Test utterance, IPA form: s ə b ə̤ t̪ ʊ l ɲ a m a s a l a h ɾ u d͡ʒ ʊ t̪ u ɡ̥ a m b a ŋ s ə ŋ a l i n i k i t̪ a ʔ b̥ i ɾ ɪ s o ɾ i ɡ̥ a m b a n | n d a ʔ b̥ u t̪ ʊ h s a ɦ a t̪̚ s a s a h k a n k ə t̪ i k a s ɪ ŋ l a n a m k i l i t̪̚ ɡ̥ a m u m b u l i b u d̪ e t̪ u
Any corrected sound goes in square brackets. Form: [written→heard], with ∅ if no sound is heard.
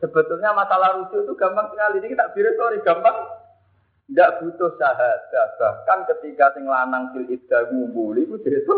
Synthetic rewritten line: s ə b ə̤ t̪ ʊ l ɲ a m a s a l a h ɾ u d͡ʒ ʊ t̪ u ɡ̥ a m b a ŋ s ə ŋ a l i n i k i t̪ a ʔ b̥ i ɾ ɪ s o ɾ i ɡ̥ a m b a [n→ŋ] | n d a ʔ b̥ u t̪ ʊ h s a ɦ a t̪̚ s a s a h k a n k ə t̪ i k a s ɪ ŋ l a n a [m→ŋ] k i l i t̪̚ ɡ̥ a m u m b u l i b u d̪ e t̪ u